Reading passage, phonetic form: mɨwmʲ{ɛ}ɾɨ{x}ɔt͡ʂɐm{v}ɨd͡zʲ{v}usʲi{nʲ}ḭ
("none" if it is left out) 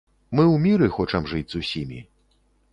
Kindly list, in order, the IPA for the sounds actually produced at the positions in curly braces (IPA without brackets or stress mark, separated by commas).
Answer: i, x, ʐ, z, mʲ